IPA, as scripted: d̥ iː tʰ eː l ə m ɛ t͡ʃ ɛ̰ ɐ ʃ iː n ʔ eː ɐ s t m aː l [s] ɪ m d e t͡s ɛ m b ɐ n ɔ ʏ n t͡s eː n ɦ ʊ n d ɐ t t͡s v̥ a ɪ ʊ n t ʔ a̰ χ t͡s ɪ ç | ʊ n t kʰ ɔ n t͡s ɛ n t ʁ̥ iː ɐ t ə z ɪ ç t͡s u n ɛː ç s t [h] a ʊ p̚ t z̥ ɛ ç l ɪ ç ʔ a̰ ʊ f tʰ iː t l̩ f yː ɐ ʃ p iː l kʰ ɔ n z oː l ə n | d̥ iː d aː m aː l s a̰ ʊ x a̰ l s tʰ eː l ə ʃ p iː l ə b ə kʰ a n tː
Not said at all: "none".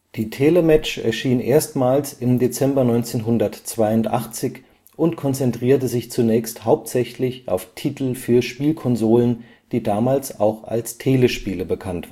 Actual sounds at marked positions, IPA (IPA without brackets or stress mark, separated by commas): s, h